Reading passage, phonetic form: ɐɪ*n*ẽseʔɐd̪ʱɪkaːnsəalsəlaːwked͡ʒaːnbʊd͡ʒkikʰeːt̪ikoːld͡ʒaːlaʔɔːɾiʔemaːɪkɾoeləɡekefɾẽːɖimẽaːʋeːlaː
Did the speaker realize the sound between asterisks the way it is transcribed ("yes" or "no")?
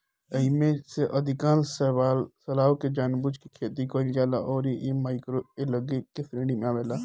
no